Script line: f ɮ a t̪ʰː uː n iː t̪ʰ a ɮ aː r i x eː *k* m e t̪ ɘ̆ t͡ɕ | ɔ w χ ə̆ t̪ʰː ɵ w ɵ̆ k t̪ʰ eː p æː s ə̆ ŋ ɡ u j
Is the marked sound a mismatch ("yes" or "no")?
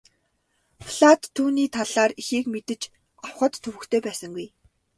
no